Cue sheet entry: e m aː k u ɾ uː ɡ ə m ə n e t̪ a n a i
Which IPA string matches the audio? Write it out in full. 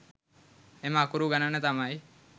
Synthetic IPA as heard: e m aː k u ɾ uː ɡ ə n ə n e t̪ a m a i